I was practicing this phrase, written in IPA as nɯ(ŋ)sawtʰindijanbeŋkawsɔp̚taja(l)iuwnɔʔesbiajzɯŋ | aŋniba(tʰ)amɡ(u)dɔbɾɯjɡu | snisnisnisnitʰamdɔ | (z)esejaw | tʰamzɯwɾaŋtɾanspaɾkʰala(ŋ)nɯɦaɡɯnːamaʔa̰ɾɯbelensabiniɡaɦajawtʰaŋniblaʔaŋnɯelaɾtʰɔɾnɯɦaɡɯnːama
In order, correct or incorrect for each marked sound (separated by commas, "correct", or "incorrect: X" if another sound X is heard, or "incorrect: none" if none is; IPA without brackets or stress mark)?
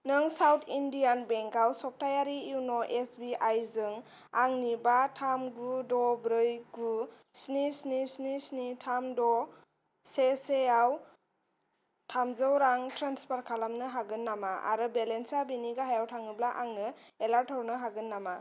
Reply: correct, incorrect: ɾ, correct, correct, incorrect: s, incorrect: m